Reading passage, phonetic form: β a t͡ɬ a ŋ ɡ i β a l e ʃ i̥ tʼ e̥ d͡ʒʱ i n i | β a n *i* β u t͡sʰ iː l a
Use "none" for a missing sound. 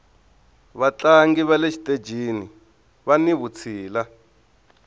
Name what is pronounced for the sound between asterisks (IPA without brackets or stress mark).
i